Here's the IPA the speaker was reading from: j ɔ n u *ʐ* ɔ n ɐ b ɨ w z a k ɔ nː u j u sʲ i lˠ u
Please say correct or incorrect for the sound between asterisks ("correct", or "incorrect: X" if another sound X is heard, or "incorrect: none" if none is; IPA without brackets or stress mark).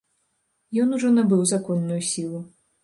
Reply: correct